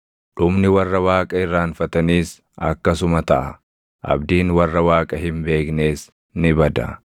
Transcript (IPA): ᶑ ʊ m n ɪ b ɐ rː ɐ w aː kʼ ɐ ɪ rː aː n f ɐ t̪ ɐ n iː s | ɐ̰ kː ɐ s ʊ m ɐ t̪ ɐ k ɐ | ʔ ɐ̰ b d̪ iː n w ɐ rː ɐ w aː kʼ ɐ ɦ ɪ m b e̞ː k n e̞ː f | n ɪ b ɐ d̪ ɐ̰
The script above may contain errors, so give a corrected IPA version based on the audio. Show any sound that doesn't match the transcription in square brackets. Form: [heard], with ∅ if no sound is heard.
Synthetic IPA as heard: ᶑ ʊ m n ɪ [w] ɐ rː ɐ w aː kʼ ɐ ɪ rː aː n f ɐ t̪ ɐ n iː s | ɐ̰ kː ɐ s ʊ m ɐ t̪ ɐ [ʔ] ɐ | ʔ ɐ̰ b d̪ iː n w ɐ rː ɐ w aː kʼ ɐ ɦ ɪ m b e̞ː k n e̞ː [s] | n ɪ b ɐ d̪ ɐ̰